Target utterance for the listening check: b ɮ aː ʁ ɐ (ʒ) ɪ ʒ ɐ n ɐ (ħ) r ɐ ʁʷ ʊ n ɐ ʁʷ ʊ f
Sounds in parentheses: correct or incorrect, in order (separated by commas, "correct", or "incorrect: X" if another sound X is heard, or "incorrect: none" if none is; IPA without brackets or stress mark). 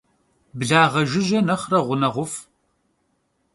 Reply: correct, incorrect: χ